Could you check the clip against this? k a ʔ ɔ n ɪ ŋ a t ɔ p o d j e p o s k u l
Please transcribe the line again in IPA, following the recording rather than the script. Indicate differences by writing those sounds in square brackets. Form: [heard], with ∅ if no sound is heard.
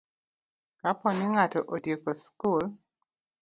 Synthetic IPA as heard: k a [p] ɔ n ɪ ŋ a t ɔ [ʔ] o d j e [k] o s k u l